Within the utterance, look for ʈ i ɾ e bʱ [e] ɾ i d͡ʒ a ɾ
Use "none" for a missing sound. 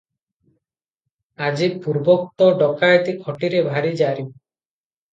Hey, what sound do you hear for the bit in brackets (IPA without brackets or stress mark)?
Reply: a